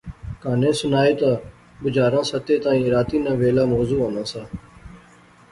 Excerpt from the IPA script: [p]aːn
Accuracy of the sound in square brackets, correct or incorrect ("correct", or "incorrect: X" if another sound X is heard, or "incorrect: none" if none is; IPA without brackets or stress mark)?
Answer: incorrect: k